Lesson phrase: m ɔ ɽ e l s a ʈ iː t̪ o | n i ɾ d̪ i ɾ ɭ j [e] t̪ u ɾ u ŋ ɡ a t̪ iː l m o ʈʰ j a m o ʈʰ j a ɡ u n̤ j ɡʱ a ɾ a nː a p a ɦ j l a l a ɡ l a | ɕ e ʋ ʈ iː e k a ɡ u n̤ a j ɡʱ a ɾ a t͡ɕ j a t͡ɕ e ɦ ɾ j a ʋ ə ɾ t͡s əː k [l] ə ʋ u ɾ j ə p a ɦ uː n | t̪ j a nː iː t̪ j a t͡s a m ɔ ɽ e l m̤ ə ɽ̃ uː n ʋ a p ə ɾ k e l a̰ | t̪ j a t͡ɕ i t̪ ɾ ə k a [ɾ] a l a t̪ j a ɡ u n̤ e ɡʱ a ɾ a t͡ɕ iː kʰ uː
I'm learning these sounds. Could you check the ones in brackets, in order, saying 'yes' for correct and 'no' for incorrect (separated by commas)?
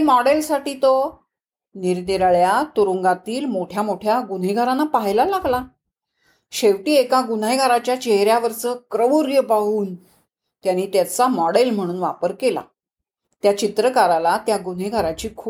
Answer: no, no, yes